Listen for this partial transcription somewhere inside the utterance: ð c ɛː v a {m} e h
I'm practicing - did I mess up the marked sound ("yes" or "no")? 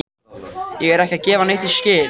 yes